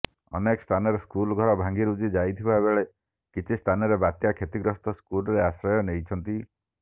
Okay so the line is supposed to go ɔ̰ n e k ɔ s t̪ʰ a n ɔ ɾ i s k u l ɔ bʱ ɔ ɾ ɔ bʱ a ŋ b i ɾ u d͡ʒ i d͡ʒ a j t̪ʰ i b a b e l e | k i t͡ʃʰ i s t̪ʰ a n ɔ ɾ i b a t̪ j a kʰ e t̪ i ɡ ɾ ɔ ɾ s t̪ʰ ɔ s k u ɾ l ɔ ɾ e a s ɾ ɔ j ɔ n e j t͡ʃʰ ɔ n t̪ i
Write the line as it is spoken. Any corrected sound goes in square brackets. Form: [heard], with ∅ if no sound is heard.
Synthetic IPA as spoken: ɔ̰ n e k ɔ s t̪ʰ a n ɔ ɾ [e] s k u l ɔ [ɡʱ] ɔ ɾ ɔ bʱ a ŋ [ɡ] i ɾ u d͡ʒ i d͡ʒ a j t̪ʰ i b a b e [ɭ] e | k i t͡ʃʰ i s t̪ʰ a n ɔ ɾ [e] b a t̪ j a kʰ e t̪ i ɡ ɾ ɔ [∅] s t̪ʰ ɔ s k u [∅] l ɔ ɾ e a s ɾ ɔ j ɔ n e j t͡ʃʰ ɔ n t̪ i